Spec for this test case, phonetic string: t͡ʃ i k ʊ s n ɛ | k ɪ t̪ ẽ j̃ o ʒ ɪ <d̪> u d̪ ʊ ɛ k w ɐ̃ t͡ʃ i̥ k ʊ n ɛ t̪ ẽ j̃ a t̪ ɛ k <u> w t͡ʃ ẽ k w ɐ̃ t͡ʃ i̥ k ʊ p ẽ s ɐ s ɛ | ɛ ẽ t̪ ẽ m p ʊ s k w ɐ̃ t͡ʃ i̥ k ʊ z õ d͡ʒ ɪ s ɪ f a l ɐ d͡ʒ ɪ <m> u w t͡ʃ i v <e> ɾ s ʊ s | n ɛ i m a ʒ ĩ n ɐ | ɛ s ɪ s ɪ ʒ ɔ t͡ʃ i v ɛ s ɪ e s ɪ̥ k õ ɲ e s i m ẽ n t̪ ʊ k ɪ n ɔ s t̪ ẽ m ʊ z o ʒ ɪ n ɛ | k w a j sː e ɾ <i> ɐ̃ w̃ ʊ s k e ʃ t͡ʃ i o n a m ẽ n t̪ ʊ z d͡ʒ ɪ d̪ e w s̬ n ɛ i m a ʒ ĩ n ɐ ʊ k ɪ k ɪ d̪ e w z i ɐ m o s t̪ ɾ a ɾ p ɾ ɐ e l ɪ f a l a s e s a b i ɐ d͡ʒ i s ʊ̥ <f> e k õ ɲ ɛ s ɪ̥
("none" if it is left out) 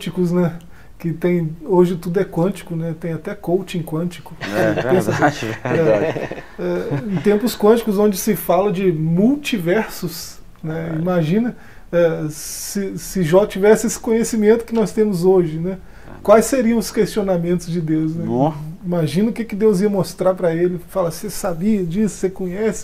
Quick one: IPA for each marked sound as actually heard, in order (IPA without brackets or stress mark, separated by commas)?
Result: t̪, o, m, ɛ, i, s